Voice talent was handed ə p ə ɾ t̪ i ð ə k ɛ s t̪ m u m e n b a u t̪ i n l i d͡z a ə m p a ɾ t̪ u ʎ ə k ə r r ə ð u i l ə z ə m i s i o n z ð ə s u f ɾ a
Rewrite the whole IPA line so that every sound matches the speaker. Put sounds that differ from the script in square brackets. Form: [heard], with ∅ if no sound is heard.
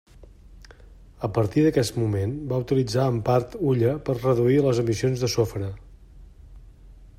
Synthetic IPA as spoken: ə p ə ɾ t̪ i ð ə k ɛ s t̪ m u m e n b a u t̪ i [∅] l i d͡z a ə m p a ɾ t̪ u ʎ ə [p] ə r r ə ð u i l ə z ə m i s i o n z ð ə s [o] f ɾ [ə]